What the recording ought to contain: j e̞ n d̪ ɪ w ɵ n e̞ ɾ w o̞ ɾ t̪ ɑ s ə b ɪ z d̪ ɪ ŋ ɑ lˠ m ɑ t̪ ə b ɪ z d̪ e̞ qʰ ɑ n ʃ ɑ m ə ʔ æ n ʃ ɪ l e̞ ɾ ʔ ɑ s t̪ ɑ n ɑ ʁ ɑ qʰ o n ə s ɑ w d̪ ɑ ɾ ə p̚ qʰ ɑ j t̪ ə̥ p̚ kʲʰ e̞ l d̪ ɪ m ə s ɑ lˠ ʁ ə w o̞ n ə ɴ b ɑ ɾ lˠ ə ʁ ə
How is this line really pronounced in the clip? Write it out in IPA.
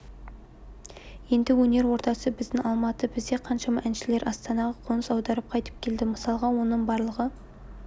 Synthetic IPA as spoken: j e̞ n d̪ ɪ w ɵ n e̞ ɾ w o̞ ɾ t̪ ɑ s ə b ɪ z d̪ ɪ ŋ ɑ lˠ m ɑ t̪ ə b ɪ z d̪ e̞ qʰ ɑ n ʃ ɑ m ɑ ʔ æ n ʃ ɪ l e̞ ɾ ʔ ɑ s t̪ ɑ n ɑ ʁ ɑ qʰ o n ə s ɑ w d̪ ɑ ɾ ə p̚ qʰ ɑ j t̪ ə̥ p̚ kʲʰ e̞ l d̪ ɪ m ə s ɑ lˠ ʁ ɑ w o̞ n ə ɴ b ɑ ɾ lˠ ə ʁ ə